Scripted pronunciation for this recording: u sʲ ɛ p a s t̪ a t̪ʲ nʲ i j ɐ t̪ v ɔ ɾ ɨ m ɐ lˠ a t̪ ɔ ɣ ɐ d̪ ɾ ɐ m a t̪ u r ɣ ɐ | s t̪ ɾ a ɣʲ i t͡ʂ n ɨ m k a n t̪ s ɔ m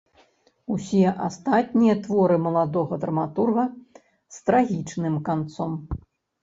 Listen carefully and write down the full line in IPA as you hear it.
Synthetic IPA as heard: u sʲ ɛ ʔ a s t̪ a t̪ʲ nʲ i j ɐ t̪ v ɔ ɾ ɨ m ɐ lˠ a d̪ ɔ ɣ ɐ d̪ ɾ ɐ m a t̪ u r ɣ ɐ | s t̪ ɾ a ɣʲ i t͡ʂ n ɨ m k a n t̪ s ɔ m